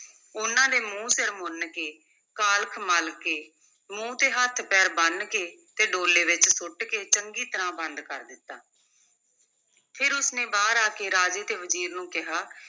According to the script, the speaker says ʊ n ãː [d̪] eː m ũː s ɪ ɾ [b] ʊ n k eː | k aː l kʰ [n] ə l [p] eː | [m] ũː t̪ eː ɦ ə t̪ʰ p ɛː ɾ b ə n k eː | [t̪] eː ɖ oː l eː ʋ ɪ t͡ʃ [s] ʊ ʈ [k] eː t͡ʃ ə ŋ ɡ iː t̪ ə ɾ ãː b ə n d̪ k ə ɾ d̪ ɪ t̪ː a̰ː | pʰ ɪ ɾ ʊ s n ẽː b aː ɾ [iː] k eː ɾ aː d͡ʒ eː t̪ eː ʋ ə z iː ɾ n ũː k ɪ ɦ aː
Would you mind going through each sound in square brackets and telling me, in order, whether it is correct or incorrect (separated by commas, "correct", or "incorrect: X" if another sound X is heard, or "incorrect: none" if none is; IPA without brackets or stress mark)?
correct, incorrect: m, incorrect: m, incorrect: k, correct, correct, correct, correct, incorrect: aː